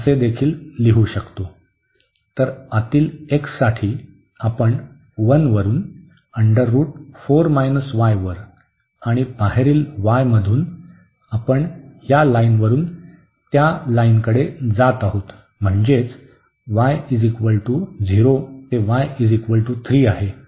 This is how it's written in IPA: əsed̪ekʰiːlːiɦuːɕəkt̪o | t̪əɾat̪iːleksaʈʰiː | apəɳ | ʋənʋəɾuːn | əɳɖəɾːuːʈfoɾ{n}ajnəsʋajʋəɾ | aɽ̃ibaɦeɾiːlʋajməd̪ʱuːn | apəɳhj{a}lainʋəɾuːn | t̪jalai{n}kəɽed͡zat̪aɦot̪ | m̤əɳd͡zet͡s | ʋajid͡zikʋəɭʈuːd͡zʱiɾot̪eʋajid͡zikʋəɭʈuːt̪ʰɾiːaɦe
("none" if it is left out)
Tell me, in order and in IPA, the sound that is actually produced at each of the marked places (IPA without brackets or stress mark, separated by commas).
m, a, n